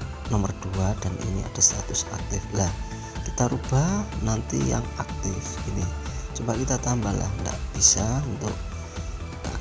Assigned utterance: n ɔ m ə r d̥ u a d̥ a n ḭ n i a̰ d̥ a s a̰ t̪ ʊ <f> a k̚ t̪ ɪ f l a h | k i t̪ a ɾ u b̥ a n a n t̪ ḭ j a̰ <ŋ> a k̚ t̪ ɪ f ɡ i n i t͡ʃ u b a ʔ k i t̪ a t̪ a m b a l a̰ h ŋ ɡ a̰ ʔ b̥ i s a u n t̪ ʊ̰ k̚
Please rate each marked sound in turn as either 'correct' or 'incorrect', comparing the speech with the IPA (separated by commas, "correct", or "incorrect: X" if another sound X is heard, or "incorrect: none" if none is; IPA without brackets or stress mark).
incorrect: s, correct